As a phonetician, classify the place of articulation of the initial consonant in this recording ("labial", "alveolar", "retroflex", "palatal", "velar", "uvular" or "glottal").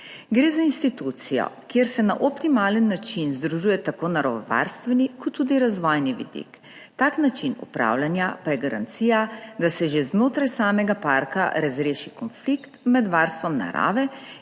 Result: velar